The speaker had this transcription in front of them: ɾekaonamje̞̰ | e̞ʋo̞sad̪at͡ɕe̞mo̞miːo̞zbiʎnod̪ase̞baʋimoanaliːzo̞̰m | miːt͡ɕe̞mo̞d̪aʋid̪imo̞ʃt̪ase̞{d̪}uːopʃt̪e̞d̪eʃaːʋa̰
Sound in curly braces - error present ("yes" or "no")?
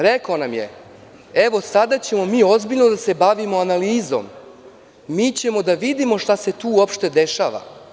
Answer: yes